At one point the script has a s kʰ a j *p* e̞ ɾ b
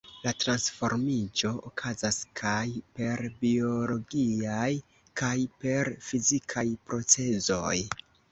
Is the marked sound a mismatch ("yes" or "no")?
no